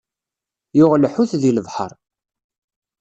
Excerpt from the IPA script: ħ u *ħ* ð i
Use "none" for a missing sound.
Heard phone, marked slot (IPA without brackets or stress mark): θ